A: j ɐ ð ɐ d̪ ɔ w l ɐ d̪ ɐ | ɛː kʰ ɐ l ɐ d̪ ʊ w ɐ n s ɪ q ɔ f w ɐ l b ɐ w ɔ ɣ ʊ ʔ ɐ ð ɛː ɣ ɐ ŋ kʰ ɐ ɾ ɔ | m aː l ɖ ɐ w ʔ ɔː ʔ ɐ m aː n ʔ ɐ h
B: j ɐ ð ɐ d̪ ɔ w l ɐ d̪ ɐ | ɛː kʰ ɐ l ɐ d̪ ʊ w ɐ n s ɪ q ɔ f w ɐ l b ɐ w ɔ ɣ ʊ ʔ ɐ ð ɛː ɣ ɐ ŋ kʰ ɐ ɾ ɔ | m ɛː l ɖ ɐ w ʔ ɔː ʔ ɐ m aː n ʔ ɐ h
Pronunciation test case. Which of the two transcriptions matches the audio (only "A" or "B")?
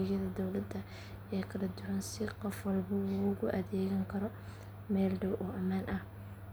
B